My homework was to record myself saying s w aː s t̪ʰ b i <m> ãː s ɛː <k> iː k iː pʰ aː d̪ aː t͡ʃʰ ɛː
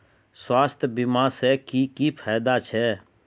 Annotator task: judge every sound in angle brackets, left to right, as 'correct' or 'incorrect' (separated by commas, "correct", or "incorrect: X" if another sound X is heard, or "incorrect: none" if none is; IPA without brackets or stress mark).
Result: correct, correct